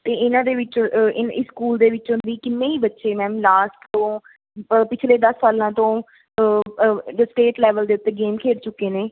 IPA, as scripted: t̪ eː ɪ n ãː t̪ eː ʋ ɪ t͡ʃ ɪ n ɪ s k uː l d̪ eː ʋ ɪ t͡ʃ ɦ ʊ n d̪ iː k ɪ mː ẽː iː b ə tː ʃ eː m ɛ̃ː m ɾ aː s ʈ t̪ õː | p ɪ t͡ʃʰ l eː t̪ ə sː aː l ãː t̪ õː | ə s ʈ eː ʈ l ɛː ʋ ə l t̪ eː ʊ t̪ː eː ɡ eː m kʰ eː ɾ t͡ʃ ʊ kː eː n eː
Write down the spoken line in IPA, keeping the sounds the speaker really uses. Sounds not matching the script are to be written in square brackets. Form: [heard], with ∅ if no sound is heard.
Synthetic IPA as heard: t̪ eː ɪ n ãː [d̪] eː ʋ ɪ t͡ʃ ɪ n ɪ s k uː l d̪ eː ʋ ɪ t͡ʃ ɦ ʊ n d̪ iː k ɪ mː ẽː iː b ə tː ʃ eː m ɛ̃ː m [l] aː s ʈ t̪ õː | p ɪ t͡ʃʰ l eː [d̪] ə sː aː l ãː t̪ õː | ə s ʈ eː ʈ l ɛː ʋ ə l [d̪] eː ʊ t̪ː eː ɡ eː m kʰ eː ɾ t͡ʃ ʊ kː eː n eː